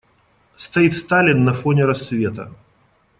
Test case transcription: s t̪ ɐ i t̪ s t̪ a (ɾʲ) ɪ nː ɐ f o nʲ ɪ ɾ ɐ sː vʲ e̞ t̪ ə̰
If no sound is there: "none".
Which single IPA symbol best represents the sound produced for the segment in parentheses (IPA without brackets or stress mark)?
lʲ